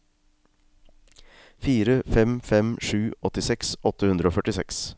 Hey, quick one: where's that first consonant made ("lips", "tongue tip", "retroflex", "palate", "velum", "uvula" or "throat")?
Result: lips